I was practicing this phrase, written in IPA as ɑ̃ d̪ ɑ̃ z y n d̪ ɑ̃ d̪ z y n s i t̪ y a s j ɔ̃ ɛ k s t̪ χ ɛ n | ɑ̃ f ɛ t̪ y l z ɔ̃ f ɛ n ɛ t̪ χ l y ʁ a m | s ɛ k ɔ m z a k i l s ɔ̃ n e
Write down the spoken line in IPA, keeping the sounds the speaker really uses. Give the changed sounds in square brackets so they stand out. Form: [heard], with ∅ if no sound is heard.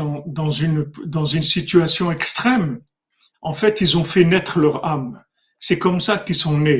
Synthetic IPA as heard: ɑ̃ d̪ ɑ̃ z y n d̪ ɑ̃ [∅] z y n s i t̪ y a s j ɔ̃ ɛ k s t̪ χ ɛ [m] | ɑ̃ f ɛ t̪ [i] l z ɔ̃ f ɛ n ɛ t̪ χ l [œ] ʁ a m | s ɛ k ɔ m [s] a k i l s ɔ̃ n e